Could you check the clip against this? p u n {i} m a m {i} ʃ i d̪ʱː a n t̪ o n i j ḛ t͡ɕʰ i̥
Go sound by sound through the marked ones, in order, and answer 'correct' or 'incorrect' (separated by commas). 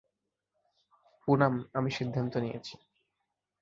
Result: incorrect, correct